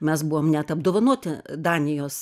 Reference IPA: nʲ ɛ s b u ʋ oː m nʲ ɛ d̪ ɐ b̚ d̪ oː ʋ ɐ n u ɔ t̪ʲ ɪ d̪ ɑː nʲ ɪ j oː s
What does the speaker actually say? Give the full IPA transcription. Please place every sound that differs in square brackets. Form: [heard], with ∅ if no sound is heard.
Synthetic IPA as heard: [mʲ] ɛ s b u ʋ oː m nʲ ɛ [t̪] ɐ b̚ d̪ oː ʋ ɐ n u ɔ t̪ʲ ɪ d̪ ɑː nʲ ɪ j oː s